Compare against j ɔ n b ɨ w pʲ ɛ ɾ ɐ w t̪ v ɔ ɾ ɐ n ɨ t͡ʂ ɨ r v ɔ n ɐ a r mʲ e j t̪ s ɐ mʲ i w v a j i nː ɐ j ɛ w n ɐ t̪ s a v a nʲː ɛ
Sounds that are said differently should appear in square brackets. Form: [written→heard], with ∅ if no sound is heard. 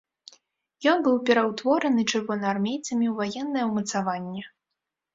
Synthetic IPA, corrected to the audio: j ɔ n b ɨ w pʲ ɛ ɾ ɐ w t̪ v ɔ ɾ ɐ n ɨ t͡ʂ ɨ r v ɔ n ɐ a r mʲ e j t̪ s ɐ mʲ i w v a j [i→ɛ] nː ɐ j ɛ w [n→m] ɐ t̪ s a v a nʲː ɛ